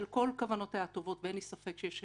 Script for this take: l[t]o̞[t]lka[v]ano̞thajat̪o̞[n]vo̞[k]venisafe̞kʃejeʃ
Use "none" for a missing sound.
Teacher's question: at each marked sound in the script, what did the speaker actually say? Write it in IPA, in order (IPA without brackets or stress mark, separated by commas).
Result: k, none, v, none, t